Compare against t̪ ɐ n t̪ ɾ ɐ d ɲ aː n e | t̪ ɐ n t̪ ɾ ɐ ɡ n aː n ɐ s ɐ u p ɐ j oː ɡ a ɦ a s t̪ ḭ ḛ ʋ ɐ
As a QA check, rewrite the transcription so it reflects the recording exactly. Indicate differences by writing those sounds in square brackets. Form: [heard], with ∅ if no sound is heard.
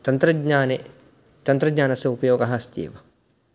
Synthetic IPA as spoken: t̪ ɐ n t̪ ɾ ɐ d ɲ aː n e | t̪ ɐ n t̪ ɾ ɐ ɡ [ɲ] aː n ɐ s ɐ u p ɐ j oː ɡ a ɦ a s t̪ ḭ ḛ ʋ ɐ